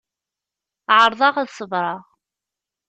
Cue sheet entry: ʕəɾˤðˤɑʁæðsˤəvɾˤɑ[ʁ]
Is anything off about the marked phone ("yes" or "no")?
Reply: no